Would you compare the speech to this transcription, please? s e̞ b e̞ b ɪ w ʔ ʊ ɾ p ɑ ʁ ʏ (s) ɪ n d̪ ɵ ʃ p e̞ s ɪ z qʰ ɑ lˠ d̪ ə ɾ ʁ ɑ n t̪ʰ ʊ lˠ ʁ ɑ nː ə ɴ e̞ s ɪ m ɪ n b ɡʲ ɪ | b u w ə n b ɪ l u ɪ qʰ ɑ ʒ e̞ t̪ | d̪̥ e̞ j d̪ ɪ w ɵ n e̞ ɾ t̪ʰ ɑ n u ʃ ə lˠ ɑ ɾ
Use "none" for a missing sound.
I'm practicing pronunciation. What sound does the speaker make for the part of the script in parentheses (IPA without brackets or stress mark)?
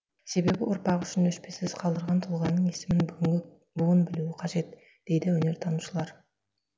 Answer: ʃ